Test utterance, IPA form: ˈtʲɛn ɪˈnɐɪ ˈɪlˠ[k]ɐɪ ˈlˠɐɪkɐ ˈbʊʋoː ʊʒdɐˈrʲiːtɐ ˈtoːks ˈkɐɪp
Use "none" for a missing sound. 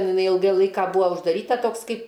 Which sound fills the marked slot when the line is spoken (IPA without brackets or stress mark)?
ɡ